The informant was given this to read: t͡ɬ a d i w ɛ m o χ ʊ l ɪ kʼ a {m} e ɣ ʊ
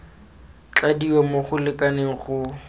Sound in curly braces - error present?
yes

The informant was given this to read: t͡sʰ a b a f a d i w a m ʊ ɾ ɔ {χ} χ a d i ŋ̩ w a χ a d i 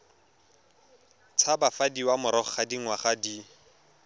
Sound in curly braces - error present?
no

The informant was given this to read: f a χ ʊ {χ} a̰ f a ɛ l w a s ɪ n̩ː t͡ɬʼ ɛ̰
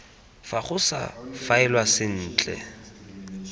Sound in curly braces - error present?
yes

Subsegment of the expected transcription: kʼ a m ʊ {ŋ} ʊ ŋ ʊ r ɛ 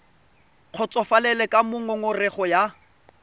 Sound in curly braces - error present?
no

